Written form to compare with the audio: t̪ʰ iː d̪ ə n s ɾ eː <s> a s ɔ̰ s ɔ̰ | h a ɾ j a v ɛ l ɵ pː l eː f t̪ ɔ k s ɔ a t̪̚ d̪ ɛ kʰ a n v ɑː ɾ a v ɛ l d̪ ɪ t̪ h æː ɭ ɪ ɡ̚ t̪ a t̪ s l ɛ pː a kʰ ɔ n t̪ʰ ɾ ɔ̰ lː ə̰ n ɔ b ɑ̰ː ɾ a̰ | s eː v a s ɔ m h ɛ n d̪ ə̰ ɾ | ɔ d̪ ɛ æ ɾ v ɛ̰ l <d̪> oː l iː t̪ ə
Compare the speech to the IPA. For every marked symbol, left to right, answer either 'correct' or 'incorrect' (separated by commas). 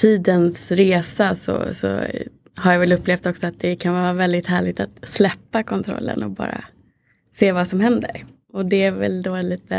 correct, correct